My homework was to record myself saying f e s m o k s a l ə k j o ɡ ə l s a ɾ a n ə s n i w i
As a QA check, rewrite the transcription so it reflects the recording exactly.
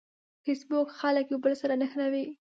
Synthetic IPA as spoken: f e s b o k x a l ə k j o b ə l s a ɾ a n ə x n a w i

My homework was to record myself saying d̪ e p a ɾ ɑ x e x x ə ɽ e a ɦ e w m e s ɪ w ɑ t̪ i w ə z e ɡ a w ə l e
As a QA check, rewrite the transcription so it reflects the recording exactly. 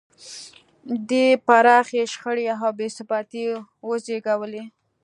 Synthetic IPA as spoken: d̪ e p a ɾ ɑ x e ʃ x ə ɽ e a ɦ a w b e s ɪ b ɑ t̪ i w ə z e ɡ a w ə l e

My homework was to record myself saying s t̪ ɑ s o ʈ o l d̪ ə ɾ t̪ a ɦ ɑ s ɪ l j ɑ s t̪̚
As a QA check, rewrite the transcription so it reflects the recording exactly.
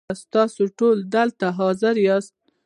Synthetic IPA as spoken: s t̪ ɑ s o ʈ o l d̪ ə l t̪ a ɦ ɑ z ɪ ɾ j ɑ s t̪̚

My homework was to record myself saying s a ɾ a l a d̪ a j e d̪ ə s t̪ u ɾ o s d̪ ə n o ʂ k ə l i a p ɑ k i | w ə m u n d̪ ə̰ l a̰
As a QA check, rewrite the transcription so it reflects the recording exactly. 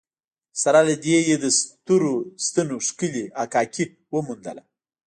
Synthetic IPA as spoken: s a ɾ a l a d̪ e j e d̪ ə s t̪ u ɾ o s t̪ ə n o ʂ k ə l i a k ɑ k i | w ə m u n d̪ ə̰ l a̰

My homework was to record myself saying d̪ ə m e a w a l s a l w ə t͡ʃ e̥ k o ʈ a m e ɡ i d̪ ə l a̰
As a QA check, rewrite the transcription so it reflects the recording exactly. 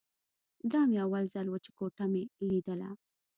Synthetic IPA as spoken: d̪ ɑ m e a w a l z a l w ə t͡ʃ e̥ k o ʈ a m e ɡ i d̪ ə l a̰

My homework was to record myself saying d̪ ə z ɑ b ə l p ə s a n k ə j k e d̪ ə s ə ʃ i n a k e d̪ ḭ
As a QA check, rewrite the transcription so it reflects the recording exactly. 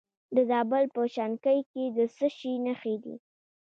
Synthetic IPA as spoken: d̪ ə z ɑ b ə l p ə ʃ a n k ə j k e d̪ ə s ə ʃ i n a x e d̪ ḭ

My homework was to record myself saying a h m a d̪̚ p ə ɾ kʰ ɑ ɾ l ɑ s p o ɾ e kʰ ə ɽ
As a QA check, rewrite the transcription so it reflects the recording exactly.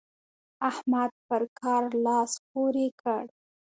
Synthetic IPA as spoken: a h m a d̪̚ p ə ɾ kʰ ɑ ɾ l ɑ s p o ɾ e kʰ ə ɽ

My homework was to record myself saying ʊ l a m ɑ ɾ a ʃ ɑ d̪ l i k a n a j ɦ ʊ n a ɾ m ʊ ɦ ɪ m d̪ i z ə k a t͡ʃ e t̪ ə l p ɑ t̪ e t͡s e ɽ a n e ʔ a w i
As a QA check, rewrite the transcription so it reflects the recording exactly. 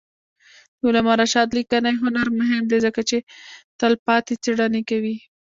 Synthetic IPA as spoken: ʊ l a m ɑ ɾ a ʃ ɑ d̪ l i k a n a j ɦ ʊ n a ɾ m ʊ ɦ ɪ m d̪ e z ə k a t͡ʃ e t̪ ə l p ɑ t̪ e t͡s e ɽ a n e k a w i

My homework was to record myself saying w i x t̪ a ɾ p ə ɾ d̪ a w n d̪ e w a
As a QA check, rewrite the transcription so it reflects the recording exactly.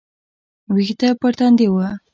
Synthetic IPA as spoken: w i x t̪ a p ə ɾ t̪ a n d̪ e w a

